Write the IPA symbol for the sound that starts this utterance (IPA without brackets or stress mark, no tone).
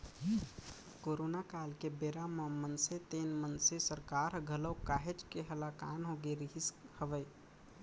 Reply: k